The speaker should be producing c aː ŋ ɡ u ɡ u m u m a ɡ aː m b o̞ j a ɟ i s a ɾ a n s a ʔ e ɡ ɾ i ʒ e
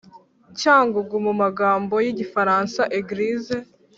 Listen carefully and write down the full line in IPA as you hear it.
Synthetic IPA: c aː ŋ ɡ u ɡ u m u m a ɡ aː m b o̞ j i ɟ i f a ɾ a n s a ʔ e ɡ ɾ i z e